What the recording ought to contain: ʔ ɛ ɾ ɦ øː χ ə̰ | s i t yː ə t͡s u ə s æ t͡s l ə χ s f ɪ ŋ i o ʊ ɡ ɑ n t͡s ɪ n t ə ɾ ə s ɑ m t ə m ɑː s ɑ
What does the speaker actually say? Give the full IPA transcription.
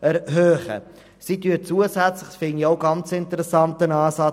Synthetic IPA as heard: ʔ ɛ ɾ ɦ øː χ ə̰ | s i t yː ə t͡s u ə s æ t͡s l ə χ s f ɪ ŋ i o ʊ ɡ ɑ n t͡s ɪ n t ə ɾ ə s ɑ n t ə n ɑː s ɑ